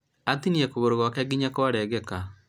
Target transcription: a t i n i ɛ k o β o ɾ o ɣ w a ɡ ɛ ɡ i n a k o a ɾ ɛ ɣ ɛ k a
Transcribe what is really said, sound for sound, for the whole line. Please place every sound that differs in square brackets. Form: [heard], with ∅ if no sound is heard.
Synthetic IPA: a t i n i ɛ k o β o ɾ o ɣ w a [k] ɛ ɡ i [ɲ] a k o a ɾ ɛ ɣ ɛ k a